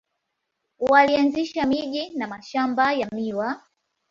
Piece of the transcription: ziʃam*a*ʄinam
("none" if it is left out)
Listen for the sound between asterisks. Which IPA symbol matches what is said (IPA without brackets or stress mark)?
i